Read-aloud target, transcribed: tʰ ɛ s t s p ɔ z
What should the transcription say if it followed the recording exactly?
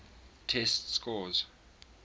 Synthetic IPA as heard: tʰ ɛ s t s k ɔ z